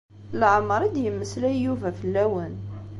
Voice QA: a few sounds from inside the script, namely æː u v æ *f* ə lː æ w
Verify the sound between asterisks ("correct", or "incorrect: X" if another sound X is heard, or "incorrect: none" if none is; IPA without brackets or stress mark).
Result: correct